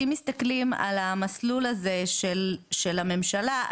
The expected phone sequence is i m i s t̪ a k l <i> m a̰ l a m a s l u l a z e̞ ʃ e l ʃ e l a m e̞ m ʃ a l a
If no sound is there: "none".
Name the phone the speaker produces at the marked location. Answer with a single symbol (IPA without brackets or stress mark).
i